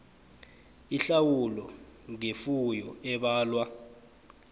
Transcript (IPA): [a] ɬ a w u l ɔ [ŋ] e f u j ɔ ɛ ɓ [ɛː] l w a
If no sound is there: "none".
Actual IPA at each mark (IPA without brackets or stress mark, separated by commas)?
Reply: i, ŋ, aː